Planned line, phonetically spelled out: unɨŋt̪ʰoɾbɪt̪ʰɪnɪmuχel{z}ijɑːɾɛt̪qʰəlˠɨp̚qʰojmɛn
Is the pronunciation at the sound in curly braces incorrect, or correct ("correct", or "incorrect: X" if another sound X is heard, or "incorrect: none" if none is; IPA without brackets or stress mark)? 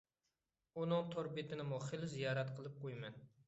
correct